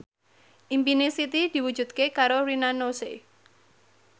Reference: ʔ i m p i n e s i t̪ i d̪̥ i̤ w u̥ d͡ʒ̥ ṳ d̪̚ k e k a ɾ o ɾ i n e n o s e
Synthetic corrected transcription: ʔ i m p i n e s i t̪ i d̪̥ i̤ w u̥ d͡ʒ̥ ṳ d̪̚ k e k a ɾ o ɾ i n a n o s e